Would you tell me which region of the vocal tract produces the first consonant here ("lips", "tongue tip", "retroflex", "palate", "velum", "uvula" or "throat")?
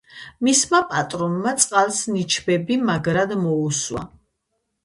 lips